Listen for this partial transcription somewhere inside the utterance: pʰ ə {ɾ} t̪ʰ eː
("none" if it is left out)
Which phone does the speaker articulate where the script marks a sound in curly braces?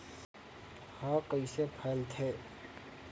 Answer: l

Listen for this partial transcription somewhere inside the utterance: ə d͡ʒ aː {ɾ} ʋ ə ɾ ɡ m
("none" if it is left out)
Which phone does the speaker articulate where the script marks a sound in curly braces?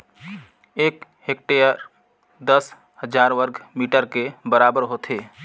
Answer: ɾ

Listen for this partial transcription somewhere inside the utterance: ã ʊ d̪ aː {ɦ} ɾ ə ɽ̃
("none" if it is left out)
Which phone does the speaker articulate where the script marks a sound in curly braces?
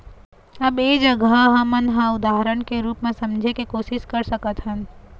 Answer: ɦ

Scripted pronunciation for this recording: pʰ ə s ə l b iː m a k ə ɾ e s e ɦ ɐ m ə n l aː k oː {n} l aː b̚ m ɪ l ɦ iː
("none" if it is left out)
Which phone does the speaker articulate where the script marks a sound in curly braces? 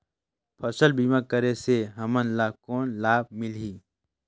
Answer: n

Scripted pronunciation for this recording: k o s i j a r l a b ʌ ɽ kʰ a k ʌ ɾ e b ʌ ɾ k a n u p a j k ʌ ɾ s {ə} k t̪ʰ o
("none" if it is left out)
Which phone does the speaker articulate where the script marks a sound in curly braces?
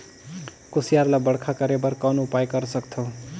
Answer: ʌ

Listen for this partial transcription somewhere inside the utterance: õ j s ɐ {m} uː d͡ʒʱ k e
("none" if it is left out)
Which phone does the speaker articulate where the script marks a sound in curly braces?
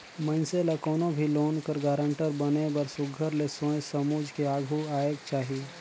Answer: m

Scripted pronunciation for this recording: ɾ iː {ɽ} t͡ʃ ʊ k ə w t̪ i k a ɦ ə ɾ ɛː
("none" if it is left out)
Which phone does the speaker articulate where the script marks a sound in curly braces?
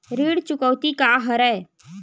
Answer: ɽ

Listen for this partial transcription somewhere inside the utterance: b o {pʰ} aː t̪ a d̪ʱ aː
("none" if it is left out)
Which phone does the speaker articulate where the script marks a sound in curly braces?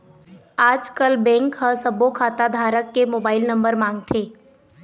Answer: kʰ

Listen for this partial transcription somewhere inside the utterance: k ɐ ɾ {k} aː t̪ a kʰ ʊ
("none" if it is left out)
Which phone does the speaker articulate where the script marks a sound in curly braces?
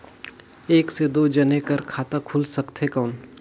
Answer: kʰ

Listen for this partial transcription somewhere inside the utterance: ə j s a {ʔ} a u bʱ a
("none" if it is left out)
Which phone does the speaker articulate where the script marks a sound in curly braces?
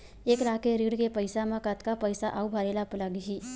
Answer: ʔ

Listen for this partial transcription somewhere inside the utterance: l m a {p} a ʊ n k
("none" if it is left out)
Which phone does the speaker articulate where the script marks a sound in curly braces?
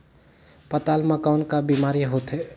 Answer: k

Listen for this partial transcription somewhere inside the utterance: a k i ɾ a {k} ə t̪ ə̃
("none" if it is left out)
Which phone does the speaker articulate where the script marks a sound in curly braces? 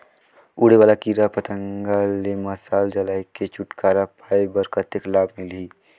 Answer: p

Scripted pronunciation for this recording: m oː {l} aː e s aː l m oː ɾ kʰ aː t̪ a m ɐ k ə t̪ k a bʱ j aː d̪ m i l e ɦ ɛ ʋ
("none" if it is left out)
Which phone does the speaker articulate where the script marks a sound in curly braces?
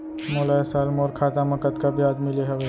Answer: l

